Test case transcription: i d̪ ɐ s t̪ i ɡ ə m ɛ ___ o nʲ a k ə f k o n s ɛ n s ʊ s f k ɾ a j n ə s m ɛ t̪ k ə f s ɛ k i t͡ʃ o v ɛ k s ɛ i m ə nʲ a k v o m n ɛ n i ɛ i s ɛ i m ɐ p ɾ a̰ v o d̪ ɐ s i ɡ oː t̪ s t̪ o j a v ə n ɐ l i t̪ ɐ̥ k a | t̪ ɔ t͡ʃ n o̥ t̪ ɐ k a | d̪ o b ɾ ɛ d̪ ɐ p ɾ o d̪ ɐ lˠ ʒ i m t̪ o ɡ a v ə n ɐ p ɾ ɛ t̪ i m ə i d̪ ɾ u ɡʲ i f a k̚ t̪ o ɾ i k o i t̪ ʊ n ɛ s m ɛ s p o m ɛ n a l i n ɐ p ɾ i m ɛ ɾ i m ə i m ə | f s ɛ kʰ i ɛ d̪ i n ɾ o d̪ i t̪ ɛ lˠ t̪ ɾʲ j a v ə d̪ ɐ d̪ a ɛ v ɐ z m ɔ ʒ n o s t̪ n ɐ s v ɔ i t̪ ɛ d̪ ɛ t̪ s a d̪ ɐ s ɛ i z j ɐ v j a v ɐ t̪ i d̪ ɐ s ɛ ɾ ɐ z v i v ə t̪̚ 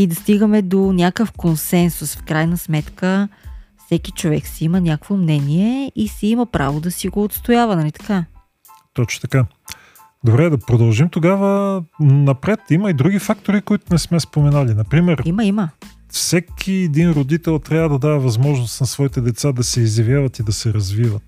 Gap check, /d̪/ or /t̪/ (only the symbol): d̪